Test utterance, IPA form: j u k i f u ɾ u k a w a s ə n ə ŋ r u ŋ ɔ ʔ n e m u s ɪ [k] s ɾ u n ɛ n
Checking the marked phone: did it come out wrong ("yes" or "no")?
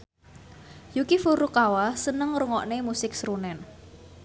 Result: no